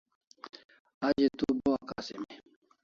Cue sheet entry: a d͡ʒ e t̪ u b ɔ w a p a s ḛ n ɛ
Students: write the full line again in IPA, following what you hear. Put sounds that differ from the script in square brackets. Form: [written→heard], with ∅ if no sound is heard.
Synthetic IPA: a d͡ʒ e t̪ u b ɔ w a [p→k] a s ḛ [n→m] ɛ

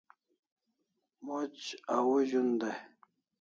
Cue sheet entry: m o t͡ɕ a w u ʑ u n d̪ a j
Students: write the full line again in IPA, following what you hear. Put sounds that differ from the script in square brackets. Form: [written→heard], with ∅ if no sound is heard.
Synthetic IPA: m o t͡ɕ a w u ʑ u n d̪ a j

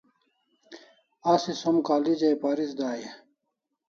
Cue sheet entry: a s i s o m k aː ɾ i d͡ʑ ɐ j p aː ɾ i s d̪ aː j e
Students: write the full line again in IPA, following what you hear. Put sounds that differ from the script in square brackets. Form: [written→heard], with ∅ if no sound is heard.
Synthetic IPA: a s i s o m k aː [ɾ→l] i d͡ʑ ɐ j p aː ɾ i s d̪ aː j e

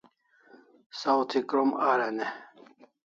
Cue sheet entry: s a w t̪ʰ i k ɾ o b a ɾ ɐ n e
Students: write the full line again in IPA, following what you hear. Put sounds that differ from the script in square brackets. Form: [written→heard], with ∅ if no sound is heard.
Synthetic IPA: s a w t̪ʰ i k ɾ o [b→m] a ɾ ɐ n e

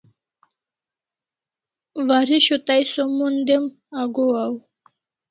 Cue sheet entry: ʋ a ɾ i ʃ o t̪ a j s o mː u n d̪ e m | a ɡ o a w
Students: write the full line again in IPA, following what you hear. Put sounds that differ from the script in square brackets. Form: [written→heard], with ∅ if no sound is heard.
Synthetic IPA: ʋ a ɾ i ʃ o t̪ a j s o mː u n d̪ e m | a ɡ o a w

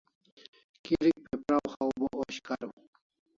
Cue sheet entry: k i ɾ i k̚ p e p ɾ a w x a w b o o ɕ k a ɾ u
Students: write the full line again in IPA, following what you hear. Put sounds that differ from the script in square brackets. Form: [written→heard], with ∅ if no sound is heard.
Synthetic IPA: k i ɾ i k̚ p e p ɾ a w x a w b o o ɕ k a ɾ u

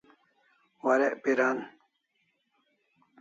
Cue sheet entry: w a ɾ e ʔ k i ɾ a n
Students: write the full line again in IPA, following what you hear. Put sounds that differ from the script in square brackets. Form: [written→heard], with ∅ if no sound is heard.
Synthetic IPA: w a ɾ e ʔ [k→p] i ɾ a n

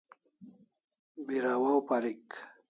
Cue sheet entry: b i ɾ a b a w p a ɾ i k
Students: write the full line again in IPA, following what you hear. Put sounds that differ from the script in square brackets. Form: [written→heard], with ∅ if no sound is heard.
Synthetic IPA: b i ɾ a [b→w] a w p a ɾ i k

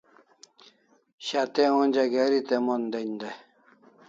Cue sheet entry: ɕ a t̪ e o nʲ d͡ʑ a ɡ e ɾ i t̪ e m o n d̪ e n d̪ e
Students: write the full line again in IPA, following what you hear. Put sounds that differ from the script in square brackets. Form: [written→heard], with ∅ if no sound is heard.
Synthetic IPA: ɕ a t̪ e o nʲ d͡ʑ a ɡ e ɾ i t̪ e m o n d̪ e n d̪ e

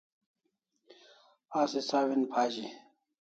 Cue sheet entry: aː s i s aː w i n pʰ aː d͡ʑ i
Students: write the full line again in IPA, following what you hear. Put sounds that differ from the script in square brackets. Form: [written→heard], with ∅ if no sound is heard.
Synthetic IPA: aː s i s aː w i n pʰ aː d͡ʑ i

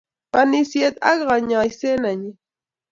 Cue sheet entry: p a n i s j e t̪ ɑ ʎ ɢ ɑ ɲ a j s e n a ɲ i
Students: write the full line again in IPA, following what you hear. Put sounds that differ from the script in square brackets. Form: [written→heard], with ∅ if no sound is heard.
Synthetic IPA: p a n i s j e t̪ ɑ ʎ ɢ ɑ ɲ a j s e n a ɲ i

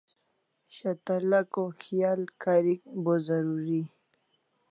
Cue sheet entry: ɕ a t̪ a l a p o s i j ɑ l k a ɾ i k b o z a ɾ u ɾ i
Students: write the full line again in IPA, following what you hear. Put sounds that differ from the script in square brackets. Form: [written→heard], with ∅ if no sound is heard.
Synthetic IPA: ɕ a t̪ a l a [p→k] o [s→x] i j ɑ l k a ɾ i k b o z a ɾ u ɾ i

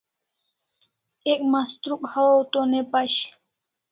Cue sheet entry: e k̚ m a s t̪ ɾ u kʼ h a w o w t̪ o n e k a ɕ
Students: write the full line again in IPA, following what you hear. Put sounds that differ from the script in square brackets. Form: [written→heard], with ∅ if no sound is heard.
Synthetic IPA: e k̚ m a s t̪ ɾ u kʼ h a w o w t̪ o n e [k→p] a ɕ

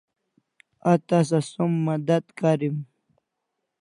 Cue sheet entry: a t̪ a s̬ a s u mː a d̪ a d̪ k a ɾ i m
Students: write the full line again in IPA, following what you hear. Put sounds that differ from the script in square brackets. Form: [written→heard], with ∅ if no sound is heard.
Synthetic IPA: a t̪ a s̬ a s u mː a d̪ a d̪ k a ɾ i m

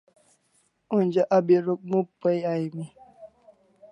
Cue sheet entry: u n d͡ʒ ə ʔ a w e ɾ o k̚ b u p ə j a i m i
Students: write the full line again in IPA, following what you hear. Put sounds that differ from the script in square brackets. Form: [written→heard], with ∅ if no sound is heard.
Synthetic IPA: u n d͡ʒ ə ʔ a [w→b] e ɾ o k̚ [b→m] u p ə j a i m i

